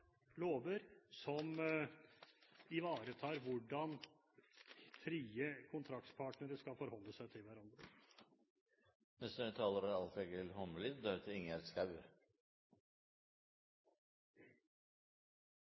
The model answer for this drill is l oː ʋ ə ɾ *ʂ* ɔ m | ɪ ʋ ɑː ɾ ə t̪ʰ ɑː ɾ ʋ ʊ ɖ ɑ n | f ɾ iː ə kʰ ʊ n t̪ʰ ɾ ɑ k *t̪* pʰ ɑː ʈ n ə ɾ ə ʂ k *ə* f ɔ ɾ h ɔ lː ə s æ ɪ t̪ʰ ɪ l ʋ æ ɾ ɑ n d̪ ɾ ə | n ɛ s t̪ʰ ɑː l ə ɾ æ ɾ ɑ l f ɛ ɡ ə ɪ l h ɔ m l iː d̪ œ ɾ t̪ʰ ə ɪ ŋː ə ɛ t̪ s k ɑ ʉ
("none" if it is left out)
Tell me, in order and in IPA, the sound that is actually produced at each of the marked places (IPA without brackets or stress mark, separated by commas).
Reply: s, t̪, ɑ